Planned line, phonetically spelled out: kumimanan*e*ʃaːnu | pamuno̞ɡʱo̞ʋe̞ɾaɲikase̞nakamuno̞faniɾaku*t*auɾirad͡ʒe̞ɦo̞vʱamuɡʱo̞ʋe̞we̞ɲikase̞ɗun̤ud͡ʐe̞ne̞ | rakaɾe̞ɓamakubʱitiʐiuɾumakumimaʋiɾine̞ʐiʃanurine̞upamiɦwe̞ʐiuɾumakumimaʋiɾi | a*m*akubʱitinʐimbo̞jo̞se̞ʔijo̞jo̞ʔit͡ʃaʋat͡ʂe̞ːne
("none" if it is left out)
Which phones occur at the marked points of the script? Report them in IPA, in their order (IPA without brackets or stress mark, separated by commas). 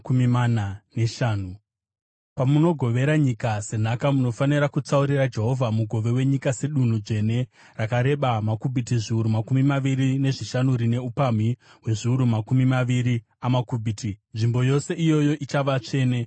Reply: e, t͡s, m